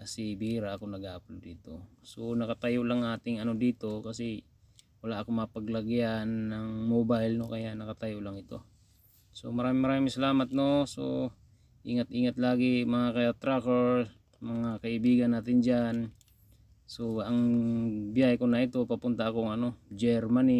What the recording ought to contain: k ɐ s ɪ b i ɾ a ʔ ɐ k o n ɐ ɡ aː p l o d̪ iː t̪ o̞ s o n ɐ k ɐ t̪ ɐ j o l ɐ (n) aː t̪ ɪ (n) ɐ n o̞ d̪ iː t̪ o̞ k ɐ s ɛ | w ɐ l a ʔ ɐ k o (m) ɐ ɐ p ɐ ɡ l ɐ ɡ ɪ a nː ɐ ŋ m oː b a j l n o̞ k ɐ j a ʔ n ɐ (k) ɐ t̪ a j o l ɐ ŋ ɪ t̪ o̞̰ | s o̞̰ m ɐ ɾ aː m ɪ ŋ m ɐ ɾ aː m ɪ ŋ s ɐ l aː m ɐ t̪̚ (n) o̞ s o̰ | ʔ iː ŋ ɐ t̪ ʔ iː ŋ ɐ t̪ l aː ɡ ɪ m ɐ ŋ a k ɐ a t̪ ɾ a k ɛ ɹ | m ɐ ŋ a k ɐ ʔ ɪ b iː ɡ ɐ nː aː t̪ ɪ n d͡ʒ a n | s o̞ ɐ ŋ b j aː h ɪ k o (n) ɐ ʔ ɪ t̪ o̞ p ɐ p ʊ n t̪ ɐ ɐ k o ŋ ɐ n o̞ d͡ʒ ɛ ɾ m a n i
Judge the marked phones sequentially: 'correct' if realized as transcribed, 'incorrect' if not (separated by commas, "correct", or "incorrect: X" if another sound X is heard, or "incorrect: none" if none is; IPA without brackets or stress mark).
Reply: incorrect: ŋ, incorrect: ŋ, correct, correct, correct, correct